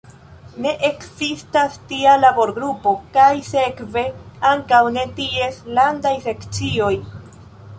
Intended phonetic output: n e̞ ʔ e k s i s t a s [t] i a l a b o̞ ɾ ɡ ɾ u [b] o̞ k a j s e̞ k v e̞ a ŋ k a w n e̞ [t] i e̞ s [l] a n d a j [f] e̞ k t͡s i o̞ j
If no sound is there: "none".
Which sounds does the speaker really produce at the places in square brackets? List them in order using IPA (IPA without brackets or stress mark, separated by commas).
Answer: t, p, t, l, s